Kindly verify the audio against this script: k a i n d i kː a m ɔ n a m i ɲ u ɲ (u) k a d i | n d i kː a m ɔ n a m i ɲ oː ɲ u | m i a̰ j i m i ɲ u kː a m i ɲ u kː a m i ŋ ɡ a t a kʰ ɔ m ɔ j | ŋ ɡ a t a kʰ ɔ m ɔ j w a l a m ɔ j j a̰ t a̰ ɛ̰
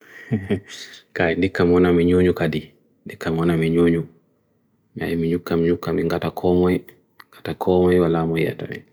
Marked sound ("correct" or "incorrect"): correct